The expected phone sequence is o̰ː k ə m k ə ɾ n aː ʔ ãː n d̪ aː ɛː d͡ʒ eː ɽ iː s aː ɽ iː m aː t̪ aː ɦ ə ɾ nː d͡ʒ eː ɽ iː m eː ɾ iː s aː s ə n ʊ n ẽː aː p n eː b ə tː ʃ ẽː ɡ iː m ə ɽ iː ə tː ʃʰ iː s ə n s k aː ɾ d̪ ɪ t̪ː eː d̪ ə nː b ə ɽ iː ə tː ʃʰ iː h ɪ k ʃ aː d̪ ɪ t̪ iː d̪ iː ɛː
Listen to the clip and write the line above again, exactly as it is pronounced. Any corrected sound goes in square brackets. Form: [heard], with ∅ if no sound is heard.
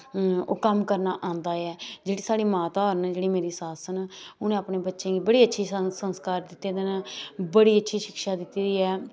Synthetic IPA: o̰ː k ə m k ə ɾ n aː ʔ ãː n d̪ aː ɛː d͡ʒ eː ɽ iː s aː ɽ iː m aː t̪ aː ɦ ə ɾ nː d͡ʒ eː ɽ iː m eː ɾ iː s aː s ə n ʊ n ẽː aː p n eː b ə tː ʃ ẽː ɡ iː [b] ə ɽ iː ə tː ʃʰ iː s ə n s k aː ɾ d̪ ɪ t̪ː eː d̪ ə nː b ə ɽ iː ə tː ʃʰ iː [ʃ] ɪ k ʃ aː d̪ ɪ t̪ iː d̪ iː ɛː